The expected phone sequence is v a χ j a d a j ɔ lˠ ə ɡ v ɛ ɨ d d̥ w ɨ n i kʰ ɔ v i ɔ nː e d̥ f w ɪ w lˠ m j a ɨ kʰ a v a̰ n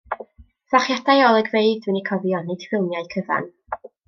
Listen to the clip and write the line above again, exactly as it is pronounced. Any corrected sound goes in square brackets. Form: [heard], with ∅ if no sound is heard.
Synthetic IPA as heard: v a χ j a d a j ɔ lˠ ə ɡ v [e] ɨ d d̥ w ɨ n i kʰ ɔ v [j] ɔ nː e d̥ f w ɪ [∅] lˠ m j a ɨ kʰ [ə] v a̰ n

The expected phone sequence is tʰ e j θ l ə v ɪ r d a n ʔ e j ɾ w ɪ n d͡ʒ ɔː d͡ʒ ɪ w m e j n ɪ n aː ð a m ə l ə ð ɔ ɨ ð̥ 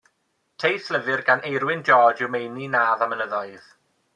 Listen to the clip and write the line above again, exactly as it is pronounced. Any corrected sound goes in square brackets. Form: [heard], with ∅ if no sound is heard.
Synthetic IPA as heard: tʰ e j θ l ə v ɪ r [ɡ] a n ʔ e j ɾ w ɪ n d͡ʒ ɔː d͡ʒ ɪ w m e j n [i] n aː ð a m ə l ə ð ɔ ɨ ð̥

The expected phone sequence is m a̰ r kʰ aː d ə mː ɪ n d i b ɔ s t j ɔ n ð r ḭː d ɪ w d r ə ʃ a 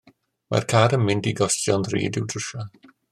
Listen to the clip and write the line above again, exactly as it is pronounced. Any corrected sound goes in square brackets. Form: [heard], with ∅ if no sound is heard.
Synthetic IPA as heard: m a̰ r kʰ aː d ə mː ɪ n d i [ɡ] ɔ s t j ɔ n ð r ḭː d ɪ w d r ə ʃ a

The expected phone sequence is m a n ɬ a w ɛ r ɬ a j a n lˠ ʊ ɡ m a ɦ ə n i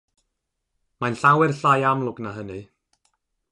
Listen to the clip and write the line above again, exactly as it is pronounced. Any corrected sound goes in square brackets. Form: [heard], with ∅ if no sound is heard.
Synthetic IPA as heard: m a n ɬ a w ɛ r ɬ a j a [m] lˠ ʊ ɡ [n] a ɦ ə n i

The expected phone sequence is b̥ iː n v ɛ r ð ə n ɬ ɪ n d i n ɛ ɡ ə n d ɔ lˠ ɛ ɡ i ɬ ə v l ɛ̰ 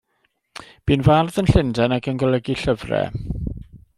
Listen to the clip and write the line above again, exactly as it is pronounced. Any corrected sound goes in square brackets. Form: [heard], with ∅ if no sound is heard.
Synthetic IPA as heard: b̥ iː n v [a] r ð ə n ɬ ɪ n d [ɛ] n [a] ɡ ə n [ɡ] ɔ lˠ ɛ ɡ i ɬ ə v [r] ɛ̰

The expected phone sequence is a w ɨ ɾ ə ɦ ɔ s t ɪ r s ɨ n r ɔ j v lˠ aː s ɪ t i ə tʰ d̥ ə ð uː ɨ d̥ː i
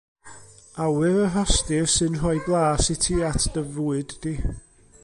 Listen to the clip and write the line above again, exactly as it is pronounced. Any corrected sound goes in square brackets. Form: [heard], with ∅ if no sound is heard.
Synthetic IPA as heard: a w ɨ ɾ ə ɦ ɔ s t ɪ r s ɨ n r ɔ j [b] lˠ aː s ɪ [tʰ] i [a] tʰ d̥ ə [v] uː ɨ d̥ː i

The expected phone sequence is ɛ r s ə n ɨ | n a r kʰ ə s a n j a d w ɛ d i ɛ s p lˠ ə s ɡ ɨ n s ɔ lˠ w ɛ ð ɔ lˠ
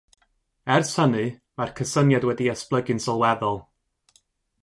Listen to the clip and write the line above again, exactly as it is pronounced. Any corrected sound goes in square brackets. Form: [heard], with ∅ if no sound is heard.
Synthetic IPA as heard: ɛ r s ə n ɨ | [m] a r kʰ ə s [ə] n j a d w ɛ d i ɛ s p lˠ ə [∅] ɡ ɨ n s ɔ lˠ w ɛ ð ɔ lˠ

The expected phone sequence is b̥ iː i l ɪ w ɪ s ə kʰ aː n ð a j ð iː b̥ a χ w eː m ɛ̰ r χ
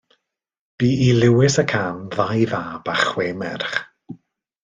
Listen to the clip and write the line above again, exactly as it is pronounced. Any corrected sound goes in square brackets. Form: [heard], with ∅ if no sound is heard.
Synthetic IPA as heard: b̥ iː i l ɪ w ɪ s ə kʰ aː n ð a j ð [aː] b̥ a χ w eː m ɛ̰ r χ

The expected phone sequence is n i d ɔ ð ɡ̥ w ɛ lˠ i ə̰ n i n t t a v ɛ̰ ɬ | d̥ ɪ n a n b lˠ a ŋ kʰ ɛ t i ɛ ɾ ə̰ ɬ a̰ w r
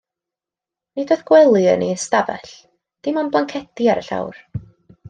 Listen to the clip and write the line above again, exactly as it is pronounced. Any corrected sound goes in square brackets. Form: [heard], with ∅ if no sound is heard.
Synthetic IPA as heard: n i d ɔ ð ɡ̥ w ɛ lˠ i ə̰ n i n [s] t a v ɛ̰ ɬ | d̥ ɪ [m] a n b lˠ a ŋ kʰ ɛ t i [a] ɾ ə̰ ɬ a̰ w r

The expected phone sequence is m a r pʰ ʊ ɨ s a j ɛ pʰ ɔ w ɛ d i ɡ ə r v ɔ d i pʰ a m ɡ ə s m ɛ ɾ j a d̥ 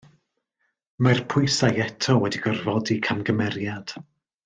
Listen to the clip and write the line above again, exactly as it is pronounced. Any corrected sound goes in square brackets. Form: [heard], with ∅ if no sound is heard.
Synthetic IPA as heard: m a r pʰ ʊ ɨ s a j ɛ [tʰ] ɔ w ɛ d i ɡ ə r v ɔ d i [kʰ] a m ɡ ə [∅] m ɛ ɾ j a d̥

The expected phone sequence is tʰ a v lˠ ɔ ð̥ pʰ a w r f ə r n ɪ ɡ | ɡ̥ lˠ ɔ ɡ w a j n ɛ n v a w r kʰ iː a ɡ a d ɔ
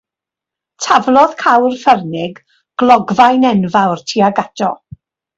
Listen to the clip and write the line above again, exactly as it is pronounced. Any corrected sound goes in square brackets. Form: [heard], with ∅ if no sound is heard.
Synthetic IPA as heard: tʰ a v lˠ ɔ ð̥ [kʰ] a w r f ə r n ɪ ɡ | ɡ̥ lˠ ɔ ɡ [v] a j n ɛ n v a w r [tʰ] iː a ɡ a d ɔ

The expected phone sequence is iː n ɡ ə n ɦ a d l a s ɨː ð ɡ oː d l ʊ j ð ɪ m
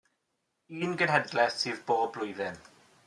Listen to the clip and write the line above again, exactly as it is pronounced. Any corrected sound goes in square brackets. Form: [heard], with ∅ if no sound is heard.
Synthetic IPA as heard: iː n ɡ ə n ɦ [ɛ] d l [ɛ] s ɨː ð [b] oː [b] l ʊ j ð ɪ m

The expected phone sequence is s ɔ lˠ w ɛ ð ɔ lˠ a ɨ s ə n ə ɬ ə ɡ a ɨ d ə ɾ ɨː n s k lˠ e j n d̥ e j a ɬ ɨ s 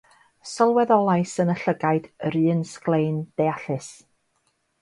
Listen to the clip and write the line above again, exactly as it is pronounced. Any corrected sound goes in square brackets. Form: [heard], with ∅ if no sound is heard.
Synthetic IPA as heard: s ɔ lˠ w ɛ ð ɔ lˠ a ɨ s ə n ə ɬ ə ɡ a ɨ d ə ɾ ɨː n s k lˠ e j n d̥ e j a ɬ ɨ s

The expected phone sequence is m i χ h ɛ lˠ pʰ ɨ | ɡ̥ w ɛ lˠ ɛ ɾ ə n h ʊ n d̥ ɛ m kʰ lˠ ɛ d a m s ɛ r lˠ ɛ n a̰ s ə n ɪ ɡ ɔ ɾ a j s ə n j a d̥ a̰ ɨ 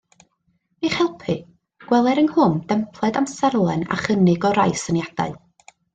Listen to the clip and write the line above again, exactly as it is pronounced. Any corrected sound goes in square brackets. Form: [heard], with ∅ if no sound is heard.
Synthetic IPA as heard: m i χ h ɛ lˠ pʰ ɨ | ɡ̥ w ɛ lˠ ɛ ɾ ə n h ʊ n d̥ ɛ m [pʰ] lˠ ɛ d a m s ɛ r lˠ ɛ n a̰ [χ] ə n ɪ ɡ ɔ ɾ a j s ə n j a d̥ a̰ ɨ

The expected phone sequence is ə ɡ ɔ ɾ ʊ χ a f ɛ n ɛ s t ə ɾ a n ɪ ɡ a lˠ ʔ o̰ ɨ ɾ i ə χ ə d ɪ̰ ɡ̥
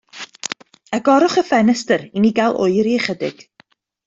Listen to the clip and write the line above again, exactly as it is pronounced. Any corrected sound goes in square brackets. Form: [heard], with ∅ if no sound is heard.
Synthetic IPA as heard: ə ɡ ɔ ɾ ʊ χ [ə] f ɛ n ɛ s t ə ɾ [i] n [i] ɡ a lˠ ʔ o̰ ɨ ɾ i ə χ ə d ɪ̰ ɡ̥

